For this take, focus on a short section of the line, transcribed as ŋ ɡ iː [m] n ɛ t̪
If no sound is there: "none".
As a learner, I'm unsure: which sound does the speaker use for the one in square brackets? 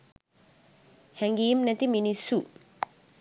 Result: m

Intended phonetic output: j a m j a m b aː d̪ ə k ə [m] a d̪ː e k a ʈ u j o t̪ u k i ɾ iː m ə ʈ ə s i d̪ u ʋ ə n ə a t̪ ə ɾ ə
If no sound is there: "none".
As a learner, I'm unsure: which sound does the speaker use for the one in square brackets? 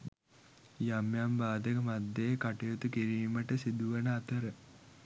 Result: m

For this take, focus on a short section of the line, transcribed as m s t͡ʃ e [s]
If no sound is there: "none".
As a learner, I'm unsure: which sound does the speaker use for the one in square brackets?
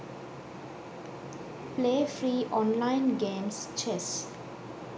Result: s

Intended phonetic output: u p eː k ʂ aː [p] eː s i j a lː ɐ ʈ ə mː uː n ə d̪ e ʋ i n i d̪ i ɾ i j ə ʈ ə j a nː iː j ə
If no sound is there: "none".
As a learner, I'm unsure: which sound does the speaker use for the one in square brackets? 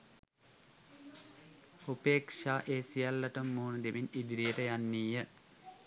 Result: ʔ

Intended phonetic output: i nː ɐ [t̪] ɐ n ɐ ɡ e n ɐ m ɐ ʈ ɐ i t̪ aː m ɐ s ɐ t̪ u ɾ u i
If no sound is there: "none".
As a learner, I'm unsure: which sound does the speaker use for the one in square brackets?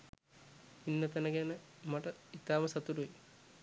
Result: t̪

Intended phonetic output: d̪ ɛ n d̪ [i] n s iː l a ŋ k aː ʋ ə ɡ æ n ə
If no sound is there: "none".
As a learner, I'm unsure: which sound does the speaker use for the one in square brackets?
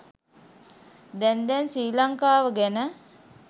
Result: ɛ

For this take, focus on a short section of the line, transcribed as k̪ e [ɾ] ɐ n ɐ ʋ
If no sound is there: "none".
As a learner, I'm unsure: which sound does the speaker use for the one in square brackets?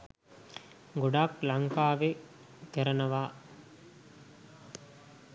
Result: ɾ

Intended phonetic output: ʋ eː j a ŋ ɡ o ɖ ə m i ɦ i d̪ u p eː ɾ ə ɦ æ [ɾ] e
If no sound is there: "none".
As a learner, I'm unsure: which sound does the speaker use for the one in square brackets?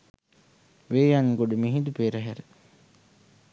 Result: ɾ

